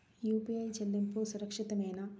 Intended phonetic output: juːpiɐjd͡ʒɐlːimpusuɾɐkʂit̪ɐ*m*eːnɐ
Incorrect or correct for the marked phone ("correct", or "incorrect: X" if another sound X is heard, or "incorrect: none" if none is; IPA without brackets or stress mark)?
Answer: correct